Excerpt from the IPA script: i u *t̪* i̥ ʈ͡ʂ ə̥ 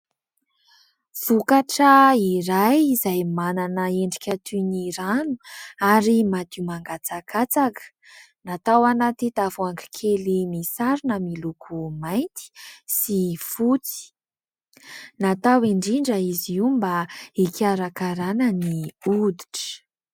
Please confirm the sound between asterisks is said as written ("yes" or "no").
no